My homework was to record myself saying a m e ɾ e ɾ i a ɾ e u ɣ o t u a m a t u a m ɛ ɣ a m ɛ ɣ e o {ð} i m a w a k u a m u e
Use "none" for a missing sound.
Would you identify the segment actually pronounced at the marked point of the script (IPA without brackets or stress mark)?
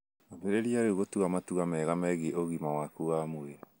ɣ